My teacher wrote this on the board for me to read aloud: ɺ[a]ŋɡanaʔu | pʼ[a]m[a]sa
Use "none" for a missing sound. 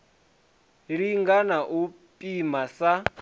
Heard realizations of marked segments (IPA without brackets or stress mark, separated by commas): i, i, a